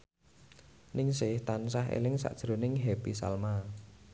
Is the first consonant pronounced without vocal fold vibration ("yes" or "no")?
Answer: no